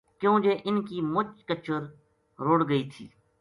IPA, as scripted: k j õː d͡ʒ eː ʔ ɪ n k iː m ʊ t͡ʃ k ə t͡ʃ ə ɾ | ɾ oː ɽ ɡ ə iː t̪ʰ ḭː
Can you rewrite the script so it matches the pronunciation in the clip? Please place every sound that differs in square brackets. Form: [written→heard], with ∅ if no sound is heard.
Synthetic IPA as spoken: k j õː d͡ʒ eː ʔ ɪ n k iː m ʊ t͡ʃ k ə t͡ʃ ə ɾ | ɾ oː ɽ ɡ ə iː t̪ʰ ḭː